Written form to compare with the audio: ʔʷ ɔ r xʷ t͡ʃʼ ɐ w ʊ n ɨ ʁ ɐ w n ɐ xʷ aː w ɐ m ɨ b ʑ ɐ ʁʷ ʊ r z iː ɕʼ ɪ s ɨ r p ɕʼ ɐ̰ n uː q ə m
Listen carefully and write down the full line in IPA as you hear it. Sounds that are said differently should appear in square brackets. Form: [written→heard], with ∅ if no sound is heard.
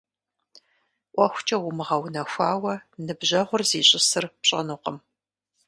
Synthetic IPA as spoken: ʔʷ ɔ [r→∅] xʷ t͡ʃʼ ɐ w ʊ [n→m] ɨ ʁ ɐ w n ɐ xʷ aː w ɐ [m→n] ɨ b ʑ ɐ ʁʷ ʊ r z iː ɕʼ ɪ s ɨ r p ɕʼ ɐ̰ n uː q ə m